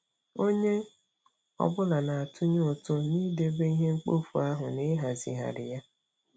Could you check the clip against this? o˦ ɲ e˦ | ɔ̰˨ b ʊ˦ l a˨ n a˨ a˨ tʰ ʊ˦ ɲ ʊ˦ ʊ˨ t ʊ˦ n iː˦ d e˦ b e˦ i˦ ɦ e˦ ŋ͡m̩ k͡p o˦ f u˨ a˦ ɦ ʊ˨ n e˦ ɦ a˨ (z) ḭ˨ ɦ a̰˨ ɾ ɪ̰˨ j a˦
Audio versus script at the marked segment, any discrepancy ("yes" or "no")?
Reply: no